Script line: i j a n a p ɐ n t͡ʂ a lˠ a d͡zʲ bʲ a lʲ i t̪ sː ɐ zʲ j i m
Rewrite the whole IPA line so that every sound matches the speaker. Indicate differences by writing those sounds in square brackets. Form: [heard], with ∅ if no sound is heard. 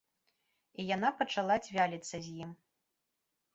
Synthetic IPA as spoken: i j a n a p ɐ [∅] t͡ʂ a lˠ a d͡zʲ [vʲ] a lʲ i t̪ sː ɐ zʲ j i m